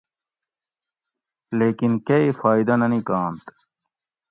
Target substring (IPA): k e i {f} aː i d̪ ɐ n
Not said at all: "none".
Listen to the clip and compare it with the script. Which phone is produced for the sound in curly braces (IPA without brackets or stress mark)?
f